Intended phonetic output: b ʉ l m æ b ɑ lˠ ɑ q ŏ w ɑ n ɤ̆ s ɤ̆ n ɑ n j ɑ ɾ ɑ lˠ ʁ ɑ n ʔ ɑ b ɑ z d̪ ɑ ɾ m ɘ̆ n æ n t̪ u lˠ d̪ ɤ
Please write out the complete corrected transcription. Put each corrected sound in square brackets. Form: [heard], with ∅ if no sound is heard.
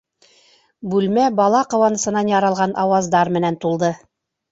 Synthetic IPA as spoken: b ʉ l m æ b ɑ lˠ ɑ q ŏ w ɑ n ɤ̆ s ɤ̆ n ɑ n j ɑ ɾ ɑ lˠ ʁ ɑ n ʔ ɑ [w] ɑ z d̪ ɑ ɾ m ɘ̆ n æ n t̪ u lˠ d̪ ɤ